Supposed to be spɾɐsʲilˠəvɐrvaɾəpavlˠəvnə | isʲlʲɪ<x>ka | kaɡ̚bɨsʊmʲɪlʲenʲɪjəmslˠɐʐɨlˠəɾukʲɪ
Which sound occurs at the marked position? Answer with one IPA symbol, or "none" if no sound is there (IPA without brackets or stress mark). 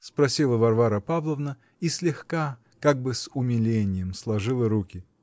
x